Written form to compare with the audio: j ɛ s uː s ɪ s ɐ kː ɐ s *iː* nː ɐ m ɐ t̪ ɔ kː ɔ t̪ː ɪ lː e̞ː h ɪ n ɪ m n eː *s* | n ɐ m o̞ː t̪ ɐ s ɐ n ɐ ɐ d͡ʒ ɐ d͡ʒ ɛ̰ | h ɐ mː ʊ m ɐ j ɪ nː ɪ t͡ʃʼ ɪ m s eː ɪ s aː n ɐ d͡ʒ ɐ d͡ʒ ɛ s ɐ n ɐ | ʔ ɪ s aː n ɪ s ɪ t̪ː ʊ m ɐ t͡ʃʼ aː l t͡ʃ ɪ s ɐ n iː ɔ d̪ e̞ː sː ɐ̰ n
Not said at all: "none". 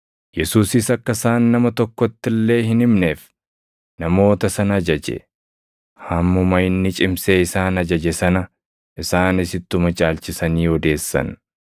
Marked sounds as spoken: aː, f

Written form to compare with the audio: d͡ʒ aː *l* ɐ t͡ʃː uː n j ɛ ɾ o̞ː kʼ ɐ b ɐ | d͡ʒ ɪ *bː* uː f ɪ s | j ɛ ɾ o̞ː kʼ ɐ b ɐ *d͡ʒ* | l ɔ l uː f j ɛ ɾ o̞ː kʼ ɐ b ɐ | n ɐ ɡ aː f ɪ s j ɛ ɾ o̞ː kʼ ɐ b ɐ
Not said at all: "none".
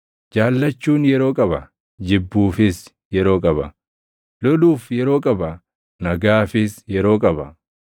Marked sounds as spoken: lː, bː, none

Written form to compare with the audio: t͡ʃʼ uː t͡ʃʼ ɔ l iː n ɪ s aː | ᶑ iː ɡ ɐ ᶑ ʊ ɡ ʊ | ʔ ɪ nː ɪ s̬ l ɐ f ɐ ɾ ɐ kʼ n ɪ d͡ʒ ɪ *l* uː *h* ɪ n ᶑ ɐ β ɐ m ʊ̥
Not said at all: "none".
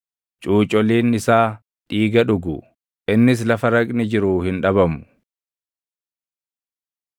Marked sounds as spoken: ɾ, h

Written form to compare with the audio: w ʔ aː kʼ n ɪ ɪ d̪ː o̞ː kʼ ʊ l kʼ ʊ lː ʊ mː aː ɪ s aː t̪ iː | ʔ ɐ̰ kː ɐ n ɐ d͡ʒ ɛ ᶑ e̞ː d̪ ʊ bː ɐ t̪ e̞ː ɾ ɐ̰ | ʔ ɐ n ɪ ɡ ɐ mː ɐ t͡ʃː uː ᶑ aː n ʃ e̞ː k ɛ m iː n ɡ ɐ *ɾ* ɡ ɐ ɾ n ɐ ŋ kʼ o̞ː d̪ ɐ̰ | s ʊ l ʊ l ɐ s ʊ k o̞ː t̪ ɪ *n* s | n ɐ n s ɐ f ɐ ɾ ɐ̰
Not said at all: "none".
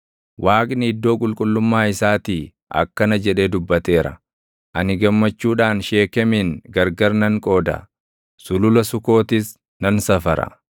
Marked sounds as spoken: ɾ, none

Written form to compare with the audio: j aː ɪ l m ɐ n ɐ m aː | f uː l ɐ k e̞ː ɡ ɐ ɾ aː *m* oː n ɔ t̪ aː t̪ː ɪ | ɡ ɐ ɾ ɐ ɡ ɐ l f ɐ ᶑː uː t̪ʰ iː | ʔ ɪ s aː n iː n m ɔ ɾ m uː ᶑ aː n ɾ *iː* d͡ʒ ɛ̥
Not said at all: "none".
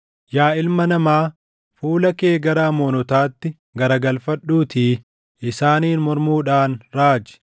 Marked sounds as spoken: m, aː

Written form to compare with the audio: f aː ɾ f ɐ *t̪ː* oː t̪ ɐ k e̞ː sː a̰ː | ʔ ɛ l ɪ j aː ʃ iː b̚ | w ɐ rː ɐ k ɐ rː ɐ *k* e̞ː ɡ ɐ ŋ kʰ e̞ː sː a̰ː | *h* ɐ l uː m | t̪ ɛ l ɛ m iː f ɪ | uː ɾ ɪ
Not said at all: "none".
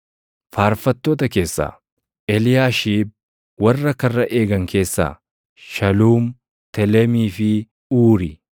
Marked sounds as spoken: t̪ː, ʔ, ʃ

